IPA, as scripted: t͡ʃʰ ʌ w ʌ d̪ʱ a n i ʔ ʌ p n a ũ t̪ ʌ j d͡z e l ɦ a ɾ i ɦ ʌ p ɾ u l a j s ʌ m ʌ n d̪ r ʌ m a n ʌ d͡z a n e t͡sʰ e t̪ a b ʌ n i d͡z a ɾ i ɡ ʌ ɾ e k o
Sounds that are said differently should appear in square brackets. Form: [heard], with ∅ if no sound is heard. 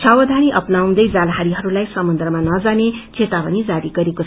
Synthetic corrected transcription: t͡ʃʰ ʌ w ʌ d̪ʱ a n i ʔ ʌ p n a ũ [d̪] ʌ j d͡z [a] l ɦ a ɾ i ɦ ʌ [∅] ɾ u l a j s ʌ m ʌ n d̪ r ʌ m a n ʌ d͡z a n e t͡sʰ e t̪ a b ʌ n i d͡z a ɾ i ɡ ʌ ɾ e k o